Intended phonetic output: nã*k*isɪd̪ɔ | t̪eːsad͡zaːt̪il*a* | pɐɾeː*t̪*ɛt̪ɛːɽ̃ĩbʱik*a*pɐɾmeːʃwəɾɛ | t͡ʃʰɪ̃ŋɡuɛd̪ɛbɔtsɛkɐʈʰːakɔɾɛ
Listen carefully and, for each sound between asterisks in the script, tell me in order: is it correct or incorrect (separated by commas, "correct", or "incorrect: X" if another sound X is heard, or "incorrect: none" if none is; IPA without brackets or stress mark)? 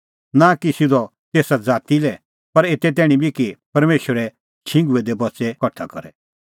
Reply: correct, incorrect: ɛ, correct, incorrect: i